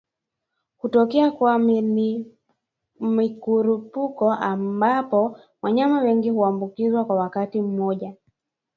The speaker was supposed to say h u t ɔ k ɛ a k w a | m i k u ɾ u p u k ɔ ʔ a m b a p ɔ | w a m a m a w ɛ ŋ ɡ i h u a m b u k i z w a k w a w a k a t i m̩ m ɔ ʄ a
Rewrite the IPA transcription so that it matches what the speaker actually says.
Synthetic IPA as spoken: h u t ɔ k ɛ a k w a | m i k u ɾ u p u k ɔ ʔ a m b a p ɔ | w a ɲ a m a w ɛ ŋ ɡ i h u a m b u k i z w a k w a w a k a t i m̩ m ɔ ʄ a

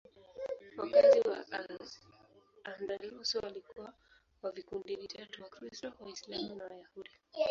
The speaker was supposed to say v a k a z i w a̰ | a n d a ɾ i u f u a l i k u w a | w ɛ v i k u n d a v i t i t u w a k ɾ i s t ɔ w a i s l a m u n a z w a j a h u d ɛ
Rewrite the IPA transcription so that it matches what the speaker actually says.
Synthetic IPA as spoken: w a k a z i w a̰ | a n d a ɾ i u s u a l i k u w a | w a v i k u n d i v i t a t u w a k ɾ i s t ɔ w a i s l a m u n a w a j a h u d i

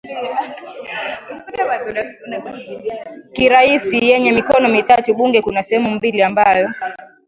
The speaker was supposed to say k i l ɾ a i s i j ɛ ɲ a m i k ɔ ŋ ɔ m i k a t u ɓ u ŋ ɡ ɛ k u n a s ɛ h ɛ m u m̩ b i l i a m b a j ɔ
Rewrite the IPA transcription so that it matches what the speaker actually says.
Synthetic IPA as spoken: k i ɾ a i s i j ɛ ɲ ɛ m i k ɔ n ɔ m i t a t u ɓ u ŋ ɡ ɛ k u n a s ɛ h ɛ m u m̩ b i l i a m b a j ɔ

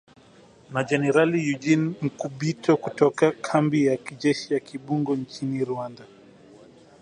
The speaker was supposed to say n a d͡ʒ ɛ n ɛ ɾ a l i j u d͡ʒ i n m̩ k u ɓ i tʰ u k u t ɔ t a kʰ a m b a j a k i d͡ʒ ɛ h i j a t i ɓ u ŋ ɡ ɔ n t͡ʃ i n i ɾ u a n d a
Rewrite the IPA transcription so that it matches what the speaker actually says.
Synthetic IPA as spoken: n a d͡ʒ ɛ n ɛ ɾ a l i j u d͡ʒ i n m̩ k u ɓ i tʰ ɔ k u t ɔ k a kʰ a m b i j a k i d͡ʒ ɛ ʃ i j a k i ɓ u ŋ ɡ ɔ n t͡ʃ i n i ɾ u a n d a

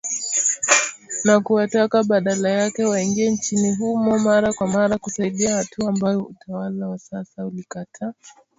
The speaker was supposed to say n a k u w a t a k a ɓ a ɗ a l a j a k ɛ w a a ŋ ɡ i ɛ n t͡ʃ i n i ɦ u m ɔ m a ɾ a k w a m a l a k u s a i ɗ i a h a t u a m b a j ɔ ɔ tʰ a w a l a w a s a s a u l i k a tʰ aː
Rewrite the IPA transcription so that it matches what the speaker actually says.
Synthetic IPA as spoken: n a k u w a t a k a ɓ a ɗ a l a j a k ɛ w a i ŋ ɡ i ɛ n t͡ʃ i n i ɦ u m ɔ m a ɾ a k w a m a ɾ a k u s a i ɗ i a h a t u a m b a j ɔ u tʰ a w a l a w a s a s a u l i k a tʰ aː

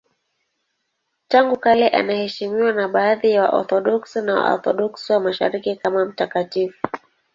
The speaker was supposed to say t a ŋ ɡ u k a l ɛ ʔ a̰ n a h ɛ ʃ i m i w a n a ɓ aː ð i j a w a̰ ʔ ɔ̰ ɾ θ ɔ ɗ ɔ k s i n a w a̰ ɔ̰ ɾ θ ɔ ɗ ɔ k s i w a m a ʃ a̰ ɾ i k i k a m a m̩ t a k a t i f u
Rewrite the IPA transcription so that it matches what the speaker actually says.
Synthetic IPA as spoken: t a ŋ ɡ u k a l ɛ ʔ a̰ n a h ɛ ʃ i m i w a n a ɓ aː ð i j a w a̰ ʔ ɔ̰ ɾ θ ɔ ɗ ɔ k s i n a w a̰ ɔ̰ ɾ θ ɔ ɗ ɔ k s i w a m a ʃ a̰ ɾ i k i k a m a m̩ t a k a t i f u

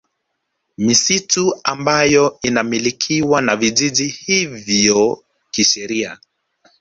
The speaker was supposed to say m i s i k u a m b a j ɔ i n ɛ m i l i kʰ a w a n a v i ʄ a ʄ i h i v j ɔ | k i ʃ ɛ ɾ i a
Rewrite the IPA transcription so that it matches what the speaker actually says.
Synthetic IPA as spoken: m i s i t u a m b a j ɔ i n a m i l i kʰ i w a n a v i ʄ i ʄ i h i v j ɔ | k i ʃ ɛ ɾ i a

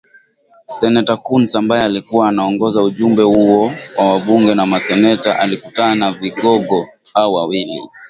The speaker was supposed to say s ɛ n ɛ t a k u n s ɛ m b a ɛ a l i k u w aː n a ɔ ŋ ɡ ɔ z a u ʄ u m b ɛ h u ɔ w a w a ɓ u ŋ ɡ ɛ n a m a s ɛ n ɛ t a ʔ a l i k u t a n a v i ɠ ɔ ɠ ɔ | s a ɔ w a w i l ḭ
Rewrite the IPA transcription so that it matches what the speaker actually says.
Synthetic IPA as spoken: s ɛ n ɛ t a k u n s a m b a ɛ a l i k u w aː n a ɔ ŋ ɡ ɔ z a u ʄ u m b ɛ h u ɔ w a w a ɓ u ŋ ɡ ɛ n a m a s ɛ n ɛ t a ʔ a l i k u t a n a v i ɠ ɔ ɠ ɔ | h a ɔ w a w i l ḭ

